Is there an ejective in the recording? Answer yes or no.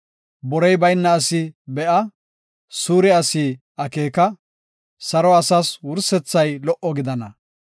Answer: no